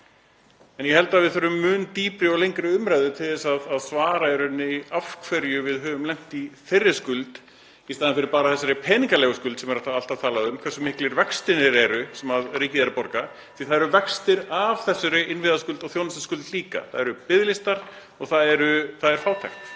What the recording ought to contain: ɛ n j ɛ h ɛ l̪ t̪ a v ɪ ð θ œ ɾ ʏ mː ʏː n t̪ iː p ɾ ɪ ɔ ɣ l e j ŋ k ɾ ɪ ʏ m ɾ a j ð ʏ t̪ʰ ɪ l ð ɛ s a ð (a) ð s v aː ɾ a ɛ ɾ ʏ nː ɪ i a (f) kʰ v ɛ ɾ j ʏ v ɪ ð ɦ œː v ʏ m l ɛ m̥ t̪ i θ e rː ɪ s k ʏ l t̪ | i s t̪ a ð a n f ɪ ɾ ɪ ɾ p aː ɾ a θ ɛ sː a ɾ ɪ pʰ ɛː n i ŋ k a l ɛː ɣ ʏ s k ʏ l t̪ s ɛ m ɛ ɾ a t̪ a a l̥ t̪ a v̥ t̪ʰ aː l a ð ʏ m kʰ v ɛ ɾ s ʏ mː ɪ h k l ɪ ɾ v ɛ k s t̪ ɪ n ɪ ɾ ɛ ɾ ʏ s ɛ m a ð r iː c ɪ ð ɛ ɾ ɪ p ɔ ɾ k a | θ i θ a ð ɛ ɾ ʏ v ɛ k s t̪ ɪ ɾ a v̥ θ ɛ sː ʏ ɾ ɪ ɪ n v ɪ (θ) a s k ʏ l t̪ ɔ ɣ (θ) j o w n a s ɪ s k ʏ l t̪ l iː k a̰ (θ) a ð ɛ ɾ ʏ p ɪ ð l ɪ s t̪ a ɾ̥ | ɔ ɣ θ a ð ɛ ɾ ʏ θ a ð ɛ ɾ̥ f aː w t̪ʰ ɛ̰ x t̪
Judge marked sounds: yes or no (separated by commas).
yes, yes, no, yes, yes